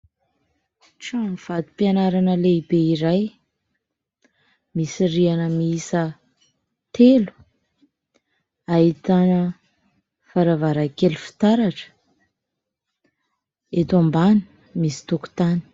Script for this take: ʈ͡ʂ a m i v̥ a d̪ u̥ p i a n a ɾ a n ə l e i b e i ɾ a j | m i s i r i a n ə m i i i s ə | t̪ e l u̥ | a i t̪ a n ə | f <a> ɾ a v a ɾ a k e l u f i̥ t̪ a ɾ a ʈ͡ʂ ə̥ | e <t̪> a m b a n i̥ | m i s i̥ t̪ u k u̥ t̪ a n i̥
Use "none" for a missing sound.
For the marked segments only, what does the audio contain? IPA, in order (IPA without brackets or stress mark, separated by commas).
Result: a, t̪